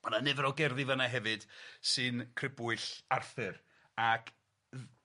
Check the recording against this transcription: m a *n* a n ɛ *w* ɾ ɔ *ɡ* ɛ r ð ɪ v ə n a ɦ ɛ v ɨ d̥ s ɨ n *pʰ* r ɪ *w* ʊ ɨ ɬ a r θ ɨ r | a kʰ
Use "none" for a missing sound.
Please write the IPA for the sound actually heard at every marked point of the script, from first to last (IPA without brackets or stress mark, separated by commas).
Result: n, v, ɡ, kʰ, b